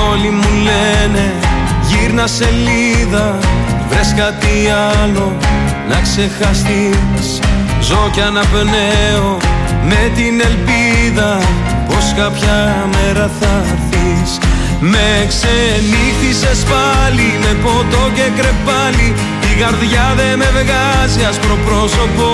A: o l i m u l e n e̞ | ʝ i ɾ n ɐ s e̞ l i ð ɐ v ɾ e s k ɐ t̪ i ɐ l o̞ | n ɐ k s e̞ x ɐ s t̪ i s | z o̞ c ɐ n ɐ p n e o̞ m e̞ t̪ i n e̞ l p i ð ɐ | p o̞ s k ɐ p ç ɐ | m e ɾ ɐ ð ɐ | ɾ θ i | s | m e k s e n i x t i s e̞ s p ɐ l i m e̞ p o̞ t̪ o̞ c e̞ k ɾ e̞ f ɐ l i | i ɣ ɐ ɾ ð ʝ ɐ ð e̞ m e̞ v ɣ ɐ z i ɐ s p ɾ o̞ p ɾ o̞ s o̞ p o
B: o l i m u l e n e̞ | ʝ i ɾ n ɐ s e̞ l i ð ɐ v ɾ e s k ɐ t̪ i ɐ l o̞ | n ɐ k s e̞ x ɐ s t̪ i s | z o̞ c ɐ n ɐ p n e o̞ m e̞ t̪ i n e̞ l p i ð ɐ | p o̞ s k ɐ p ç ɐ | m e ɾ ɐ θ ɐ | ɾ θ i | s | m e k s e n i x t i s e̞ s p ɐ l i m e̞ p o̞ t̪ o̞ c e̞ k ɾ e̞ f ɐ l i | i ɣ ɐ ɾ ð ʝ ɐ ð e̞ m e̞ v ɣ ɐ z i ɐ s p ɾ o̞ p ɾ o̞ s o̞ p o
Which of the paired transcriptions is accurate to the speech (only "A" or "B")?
B